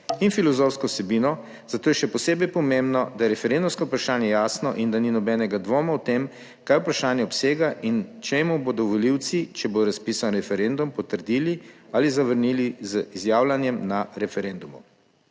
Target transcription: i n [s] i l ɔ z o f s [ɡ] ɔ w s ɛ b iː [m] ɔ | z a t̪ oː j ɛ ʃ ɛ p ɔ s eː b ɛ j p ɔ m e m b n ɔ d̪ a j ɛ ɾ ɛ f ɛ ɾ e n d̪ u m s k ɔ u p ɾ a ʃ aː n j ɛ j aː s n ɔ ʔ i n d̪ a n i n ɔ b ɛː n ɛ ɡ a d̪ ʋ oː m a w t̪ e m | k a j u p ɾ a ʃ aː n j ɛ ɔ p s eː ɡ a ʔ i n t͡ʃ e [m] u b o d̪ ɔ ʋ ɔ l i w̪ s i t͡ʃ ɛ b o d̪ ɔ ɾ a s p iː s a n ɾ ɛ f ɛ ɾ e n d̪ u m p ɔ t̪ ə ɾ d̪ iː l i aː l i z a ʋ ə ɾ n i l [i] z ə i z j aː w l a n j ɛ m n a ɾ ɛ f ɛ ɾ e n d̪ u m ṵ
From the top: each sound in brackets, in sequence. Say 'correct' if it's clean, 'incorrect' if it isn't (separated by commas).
incorrect, incorrect, incorrect, correct, correct